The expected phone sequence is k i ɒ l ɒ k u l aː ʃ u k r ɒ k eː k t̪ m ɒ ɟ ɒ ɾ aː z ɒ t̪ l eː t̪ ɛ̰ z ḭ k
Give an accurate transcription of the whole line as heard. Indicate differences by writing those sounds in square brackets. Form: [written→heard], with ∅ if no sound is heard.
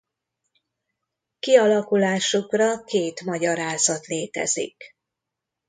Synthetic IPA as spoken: k i ɒ l ɒ k u l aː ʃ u k r ɒ k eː [k→∅] t̪ m ɒ ɟ ɒ ɾ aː z ɒ t̪ l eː t̪ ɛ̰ z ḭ k